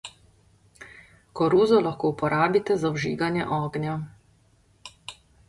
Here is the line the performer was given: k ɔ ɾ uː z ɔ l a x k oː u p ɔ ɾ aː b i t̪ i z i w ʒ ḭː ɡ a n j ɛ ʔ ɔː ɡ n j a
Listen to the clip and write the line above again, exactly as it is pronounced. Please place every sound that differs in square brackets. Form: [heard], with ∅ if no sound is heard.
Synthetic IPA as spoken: k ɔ ɾ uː z ɔ l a x k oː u p ɔ ɾ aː b i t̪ [ɛ] z [a] w ʒ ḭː ɡ a n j ɛ ʔ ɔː ɡ n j a